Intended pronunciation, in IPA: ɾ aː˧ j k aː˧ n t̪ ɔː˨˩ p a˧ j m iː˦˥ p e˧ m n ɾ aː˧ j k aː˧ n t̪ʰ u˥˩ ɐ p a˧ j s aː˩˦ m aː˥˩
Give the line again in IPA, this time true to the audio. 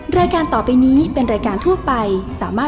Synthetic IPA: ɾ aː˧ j k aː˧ n t̪ ɔː˨˩ p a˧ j n iː˦˥ p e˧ n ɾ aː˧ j k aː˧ n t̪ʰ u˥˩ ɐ p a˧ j s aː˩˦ m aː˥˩